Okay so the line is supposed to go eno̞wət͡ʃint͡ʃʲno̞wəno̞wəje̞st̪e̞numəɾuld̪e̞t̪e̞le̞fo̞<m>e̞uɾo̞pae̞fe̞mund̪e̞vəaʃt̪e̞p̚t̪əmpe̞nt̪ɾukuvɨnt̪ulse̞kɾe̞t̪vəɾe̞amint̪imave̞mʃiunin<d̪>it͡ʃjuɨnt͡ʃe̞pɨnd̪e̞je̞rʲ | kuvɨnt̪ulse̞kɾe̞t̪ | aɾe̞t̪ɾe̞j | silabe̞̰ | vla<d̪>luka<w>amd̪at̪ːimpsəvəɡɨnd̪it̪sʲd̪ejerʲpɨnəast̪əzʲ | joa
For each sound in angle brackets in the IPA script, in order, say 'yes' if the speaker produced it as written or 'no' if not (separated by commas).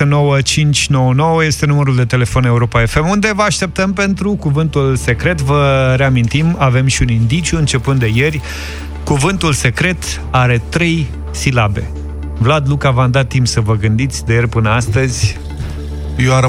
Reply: no, yes, yes, no